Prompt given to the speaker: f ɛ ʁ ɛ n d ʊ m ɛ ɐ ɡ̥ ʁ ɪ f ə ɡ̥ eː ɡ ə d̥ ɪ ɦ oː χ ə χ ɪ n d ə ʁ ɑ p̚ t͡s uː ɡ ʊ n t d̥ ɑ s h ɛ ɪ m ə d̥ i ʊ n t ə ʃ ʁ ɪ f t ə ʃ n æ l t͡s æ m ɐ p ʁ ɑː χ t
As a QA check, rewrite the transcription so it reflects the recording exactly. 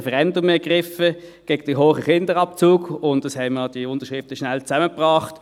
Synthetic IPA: f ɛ ʁ ɛ n d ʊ m ɛ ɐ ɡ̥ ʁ ɪ f ə ɡ̥ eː ɡ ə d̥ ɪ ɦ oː χ ə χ ɪ n d ə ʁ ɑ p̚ t͡s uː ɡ ʊ n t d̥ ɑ s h ɛ ɪ m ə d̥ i ʊ n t ə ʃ ʁ ɪ f t ə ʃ n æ l t͡s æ m ə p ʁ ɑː χ t